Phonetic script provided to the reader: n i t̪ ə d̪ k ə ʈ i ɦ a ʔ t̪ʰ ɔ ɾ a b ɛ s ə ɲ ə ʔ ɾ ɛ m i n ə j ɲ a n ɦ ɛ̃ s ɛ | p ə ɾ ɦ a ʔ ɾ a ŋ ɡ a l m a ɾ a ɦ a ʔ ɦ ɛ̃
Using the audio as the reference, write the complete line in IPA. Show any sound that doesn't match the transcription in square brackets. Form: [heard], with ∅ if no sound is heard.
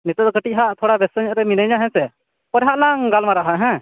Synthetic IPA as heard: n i t̪ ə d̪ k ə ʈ i ɦ a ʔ t̪ʰ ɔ [ɽ] a b ɛ s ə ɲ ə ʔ ɾ ɛ m i n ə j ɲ a [∅] ɦ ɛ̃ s ɛ | p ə ɾ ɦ a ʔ [l] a ŋ ɡ a l m a ɾ a ɦ a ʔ ɦ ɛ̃